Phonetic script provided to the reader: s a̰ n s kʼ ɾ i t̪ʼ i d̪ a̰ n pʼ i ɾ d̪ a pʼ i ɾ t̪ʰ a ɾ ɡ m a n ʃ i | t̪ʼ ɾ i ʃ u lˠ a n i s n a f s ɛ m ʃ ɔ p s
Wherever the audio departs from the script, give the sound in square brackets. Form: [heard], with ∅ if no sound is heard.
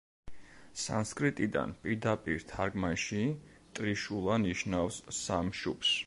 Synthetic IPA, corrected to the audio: s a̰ n s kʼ ɾ i t̪ʼ i d̪ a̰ n pʼ i ɾ d̪ a pʼ i ɾ t̪ʰ a ɾ ɡ m a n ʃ i | t̪ʼ ɾ i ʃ u lˠ a n i [ʃ] n a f s [a] m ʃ [u] p s